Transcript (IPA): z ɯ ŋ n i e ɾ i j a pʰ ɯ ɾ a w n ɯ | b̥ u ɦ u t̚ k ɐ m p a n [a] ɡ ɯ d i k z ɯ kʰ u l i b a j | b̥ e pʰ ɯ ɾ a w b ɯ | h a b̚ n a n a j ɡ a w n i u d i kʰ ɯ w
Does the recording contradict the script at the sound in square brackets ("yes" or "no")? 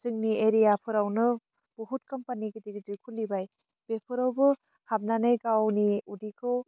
yes